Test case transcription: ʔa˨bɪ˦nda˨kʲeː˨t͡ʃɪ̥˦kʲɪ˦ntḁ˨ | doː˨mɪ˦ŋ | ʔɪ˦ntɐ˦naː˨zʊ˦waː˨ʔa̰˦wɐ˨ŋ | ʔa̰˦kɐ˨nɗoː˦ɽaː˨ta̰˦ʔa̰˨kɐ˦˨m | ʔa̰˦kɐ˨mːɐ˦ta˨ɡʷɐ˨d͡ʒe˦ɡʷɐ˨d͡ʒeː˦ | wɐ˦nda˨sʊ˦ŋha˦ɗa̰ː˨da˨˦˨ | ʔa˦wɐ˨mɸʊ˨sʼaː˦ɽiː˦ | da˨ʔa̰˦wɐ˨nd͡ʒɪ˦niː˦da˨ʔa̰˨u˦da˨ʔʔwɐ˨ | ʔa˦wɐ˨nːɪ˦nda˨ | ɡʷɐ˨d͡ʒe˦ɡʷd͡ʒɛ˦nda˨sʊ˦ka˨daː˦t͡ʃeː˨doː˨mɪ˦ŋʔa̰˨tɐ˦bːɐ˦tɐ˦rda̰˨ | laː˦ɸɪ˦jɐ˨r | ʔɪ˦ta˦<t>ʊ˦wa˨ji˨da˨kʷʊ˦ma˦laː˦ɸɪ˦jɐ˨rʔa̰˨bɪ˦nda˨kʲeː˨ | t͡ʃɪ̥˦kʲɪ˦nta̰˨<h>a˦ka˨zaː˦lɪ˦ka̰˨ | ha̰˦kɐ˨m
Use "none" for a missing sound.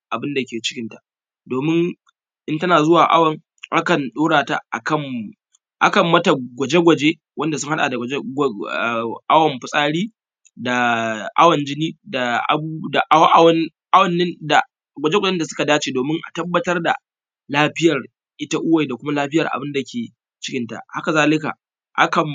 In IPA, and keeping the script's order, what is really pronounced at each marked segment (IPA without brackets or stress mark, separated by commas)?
ʔ, h